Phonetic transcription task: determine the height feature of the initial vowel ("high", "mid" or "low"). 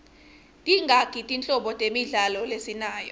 high